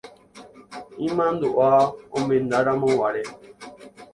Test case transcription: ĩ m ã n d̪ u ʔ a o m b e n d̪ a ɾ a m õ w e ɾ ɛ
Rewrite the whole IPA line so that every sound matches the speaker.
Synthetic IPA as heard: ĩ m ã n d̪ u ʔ a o m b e n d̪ a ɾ a m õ w a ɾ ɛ